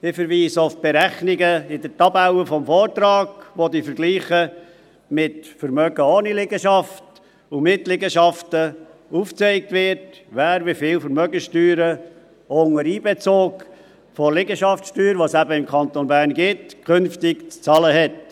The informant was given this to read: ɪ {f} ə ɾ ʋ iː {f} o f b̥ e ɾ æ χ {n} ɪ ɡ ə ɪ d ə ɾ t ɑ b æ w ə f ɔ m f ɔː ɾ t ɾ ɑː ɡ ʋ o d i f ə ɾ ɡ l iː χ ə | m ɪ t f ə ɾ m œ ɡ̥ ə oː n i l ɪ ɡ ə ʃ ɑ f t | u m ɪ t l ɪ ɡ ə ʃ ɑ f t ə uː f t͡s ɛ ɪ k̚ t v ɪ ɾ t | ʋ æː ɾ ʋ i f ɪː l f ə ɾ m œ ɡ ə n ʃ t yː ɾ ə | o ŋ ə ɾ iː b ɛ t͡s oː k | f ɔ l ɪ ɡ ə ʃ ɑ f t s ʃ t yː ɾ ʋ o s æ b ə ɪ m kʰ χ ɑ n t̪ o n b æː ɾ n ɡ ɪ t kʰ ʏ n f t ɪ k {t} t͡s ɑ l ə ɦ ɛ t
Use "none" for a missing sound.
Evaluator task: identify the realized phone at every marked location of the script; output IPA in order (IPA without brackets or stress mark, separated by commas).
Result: f, s, n, t͡s